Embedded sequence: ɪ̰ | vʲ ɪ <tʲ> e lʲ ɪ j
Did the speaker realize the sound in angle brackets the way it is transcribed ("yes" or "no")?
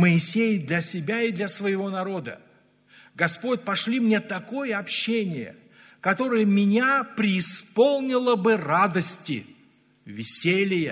no